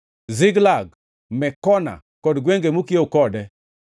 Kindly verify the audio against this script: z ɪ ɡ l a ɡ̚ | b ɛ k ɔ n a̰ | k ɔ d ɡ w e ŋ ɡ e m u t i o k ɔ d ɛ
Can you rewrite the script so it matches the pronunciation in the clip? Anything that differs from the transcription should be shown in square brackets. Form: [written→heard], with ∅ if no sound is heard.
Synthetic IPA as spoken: z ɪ ɡ l a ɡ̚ | [b→m] ɛ k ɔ n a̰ | k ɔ d ɡ w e ŋ ɡ e m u [t→k] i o k ɔ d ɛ

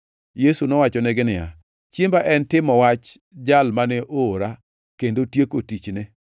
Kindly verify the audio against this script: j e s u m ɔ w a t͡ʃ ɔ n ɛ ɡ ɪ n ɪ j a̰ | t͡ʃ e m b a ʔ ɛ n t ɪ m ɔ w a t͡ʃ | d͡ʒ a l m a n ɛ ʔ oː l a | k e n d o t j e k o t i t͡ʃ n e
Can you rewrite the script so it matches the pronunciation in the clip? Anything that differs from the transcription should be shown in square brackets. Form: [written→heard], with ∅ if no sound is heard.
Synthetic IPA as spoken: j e s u [m→n] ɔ w a t͡ʃ ɔ n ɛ ɡ ɪ n ɪ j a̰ | t͡ʃ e m b a ʔ ɛ n t ɪ m ɔ w a t͡ʃ | d͡ʒ a l m a n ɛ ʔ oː [l→ɾ] a | k e n d o t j e k o t i t͡ʃ n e

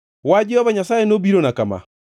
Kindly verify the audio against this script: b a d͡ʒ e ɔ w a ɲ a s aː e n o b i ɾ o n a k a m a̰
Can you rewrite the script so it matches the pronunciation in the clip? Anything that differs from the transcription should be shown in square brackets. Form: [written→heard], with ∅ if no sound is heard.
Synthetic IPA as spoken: [b→w] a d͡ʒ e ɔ [w→β] a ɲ a s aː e n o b i ɾ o n a k a m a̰

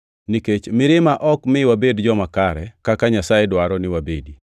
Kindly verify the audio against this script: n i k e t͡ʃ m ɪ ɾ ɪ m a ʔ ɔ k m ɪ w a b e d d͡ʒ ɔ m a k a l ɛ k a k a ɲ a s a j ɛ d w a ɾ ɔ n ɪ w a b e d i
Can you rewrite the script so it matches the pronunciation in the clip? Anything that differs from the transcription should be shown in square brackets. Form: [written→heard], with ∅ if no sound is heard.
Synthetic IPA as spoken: n i k e t͡ʃ m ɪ ɾ ɪ m a ʔ ɔ k m ɪ w a b e d d͡ʒ ɔ m a k a [l→ɾ] ɛ k a k a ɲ a s a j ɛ d w a ɾ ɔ n ɪ w a b e d i

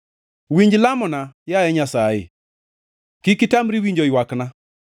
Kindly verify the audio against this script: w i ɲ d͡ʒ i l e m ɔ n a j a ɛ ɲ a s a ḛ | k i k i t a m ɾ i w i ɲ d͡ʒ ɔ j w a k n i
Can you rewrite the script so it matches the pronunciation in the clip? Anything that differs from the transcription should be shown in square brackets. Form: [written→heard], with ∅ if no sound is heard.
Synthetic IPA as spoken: w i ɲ d͡ʒ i l [e→a] m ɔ n a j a ɛ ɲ a s a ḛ | k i k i t a m ɾ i w i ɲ d͡ʒ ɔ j w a k n [i→a]

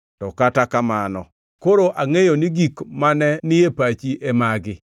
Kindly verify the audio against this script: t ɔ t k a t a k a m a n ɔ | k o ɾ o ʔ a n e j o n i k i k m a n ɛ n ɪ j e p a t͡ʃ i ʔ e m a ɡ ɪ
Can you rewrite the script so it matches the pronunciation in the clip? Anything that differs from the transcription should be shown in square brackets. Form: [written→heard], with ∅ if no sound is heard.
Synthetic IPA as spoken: t ɔ [t→∅] k a t a k a m a n ɔ | k o ɾ o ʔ a [n→ŋ] e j o n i [k→ɡ] i k m a n ɛ n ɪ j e p a t͡ʃ i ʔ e m a ɡ ɪ

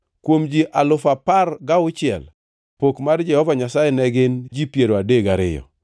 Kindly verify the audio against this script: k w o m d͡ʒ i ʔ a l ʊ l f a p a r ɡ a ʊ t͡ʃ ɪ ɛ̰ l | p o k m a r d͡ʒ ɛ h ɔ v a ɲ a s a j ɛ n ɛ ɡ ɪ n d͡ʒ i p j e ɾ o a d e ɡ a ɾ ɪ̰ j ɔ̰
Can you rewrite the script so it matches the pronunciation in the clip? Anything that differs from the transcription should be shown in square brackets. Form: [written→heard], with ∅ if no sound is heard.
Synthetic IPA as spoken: k w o m d͡ʒ i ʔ a l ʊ [l→∅] f a p a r ɡ a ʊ t͡ʃ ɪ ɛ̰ l | p o k m a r d͡ʒ ɛ h ɔ v a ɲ a s a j ɛ n ɛ ɡ ɪ n d͡ʒ i p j e ɾ o a d e ɡ a ɾ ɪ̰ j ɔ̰

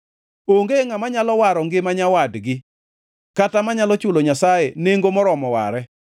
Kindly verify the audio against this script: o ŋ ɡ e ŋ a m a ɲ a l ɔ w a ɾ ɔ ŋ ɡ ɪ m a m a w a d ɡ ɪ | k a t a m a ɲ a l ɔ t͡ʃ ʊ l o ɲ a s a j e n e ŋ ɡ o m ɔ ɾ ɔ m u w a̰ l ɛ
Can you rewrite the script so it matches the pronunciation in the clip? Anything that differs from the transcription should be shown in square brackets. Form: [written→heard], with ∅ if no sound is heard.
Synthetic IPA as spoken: o ŋ ɡ e ŋ a m a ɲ a l ɔ w a ɾ ɔ ŋ ɡ ɪ m a [m→ɲ] a w a d ɡ ɪ | k a t a m a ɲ a l ɔ t͡ʃ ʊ l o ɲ a s a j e n e ŋ ɡ o m ɔ ɾ ɔ m [u→ɔ] w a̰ [l→ɾ] ɛ

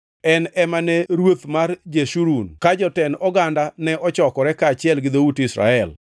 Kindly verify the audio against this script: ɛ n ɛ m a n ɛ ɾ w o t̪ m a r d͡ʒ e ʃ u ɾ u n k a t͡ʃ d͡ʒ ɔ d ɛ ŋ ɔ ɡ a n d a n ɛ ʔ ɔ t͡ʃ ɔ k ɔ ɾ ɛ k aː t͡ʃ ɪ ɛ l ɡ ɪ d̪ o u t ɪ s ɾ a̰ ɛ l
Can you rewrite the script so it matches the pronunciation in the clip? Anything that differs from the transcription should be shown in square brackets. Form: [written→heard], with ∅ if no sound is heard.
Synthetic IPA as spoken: ɛ n ɛ m a n ɛ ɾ w o t̪ m a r d͡ʒ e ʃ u ɾ u n k a [t͡ʃ→∅] d͡ʒ ɔ [d→t] ɛ [ŋ→n] ɔ ɡ a n d a n ɛ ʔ ɔ t͡ʃ ɔ k ɔ ɾ ɛ k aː t͡ʃ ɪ ɛ l ɡ ɪ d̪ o u t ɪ s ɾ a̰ ɛ l

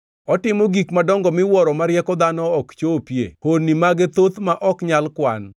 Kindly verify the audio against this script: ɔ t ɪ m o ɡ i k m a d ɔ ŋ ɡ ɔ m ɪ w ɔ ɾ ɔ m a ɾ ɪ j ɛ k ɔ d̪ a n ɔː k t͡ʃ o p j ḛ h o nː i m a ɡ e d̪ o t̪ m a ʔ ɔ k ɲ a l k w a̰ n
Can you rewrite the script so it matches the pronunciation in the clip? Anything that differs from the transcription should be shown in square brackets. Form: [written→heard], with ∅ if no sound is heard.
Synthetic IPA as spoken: ɔ t ɪ m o ɡ i k m a d ɔ ŋ ɡ ɔ m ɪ w ɔ ɾ ɔ m a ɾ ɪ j ɛ k ɔ d̪ a n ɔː k t͡ʃ o p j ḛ h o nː i m a ɡ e [d̪→t̪] o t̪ m a ʔ ɔ k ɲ a l k w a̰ n

